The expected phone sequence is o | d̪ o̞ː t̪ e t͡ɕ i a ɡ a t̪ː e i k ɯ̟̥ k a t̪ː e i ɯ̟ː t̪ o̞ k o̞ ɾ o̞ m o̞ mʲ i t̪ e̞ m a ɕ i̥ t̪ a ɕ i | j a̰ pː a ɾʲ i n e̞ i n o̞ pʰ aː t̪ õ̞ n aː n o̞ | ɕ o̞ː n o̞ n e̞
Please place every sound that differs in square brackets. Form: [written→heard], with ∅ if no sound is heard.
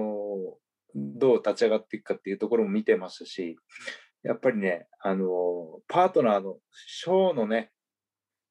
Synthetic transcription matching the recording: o | d̪ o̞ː t̪ [e→a] t͡ɕ i a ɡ a t̪ː e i k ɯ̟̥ k a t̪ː e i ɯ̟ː t̪ o̞ k o̞ ɾ o̞ m o̞ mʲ i t̪ e̞ m a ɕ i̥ t̪ a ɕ i | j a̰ pː a ɾʲ i n e̞ [i→a] n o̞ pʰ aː t̪ [õ̞→o̞] n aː n o̞ | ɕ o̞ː n o̞ n e̞